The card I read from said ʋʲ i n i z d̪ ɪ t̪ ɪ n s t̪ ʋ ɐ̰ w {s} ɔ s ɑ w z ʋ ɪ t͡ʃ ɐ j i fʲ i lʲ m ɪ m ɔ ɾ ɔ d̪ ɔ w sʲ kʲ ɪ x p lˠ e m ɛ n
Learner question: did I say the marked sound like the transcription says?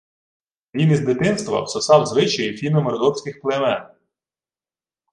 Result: yes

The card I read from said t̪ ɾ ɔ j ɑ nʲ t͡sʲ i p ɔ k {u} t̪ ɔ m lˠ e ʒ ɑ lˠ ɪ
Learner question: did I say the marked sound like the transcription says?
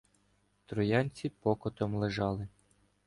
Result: no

